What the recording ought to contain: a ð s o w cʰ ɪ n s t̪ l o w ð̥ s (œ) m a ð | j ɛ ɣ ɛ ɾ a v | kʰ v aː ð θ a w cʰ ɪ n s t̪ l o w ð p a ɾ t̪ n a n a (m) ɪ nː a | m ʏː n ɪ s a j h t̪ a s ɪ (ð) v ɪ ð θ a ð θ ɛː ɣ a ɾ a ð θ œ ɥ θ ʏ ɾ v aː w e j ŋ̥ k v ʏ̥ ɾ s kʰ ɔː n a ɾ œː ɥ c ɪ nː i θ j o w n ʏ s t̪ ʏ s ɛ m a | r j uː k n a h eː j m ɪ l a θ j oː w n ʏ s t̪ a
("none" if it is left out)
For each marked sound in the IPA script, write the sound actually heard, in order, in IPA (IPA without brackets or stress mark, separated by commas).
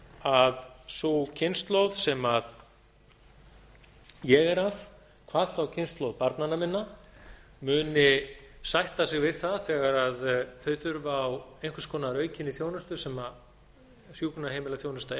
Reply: ɛ, m, ɣ